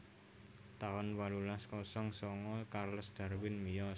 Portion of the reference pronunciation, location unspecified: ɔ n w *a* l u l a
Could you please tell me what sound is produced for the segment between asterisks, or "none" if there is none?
a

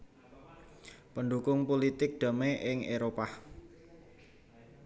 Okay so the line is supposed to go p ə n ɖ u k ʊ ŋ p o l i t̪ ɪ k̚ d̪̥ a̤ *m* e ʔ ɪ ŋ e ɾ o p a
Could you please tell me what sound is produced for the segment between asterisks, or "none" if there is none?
m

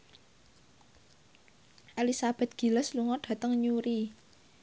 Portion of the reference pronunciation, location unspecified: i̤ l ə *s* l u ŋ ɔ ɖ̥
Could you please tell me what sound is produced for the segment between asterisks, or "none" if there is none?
s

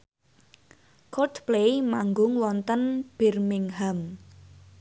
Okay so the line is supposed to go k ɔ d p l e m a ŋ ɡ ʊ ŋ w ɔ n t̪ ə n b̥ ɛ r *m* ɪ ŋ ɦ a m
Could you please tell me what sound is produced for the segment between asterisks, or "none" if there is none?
m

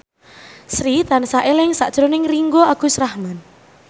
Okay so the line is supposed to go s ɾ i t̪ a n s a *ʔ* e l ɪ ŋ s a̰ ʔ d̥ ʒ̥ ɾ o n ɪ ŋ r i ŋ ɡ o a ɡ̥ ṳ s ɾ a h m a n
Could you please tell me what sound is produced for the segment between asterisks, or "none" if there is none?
ʔ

